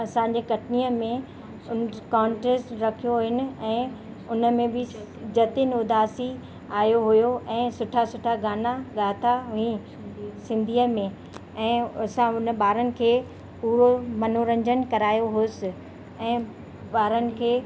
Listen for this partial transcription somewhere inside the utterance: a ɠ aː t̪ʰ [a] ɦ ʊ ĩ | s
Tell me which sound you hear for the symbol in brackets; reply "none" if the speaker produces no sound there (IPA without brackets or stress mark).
a